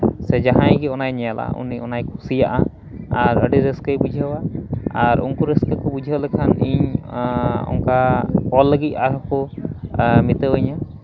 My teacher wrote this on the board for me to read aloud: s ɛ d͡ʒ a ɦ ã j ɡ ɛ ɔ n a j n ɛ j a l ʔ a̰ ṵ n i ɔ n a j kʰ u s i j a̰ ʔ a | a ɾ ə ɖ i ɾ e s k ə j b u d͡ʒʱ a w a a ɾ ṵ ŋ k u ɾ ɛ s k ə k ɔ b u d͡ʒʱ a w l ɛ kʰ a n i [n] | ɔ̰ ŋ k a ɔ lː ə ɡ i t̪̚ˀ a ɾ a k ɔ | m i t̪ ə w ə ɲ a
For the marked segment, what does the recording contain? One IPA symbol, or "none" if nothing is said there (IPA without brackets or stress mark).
ɲ